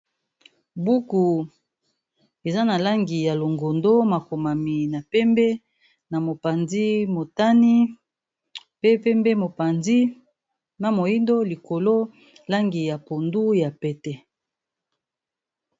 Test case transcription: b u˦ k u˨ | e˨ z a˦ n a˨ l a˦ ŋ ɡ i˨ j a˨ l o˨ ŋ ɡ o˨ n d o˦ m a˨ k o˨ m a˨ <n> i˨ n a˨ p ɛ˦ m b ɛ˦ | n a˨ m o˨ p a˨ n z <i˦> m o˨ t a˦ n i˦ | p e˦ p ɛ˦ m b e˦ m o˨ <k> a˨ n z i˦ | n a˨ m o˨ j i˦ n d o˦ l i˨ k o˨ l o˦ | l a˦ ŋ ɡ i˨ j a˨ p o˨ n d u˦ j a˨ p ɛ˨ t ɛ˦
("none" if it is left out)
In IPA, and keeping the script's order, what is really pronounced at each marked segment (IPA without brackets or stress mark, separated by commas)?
m, i˦, p